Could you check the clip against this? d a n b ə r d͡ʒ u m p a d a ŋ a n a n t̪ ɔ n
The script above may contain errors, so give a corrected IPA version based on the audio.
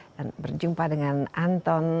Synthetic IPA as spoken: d a n b ə r d͡ʒ u m p a d ə ŋ a n a n t̪ ɔ n